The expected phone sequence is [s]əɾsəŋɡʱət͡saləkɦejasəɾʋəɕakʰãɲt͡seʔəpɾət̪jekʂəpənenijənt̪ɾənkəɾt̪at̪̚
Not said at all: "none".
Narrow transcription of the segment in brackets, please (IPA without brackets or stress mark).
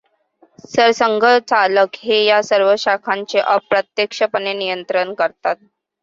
s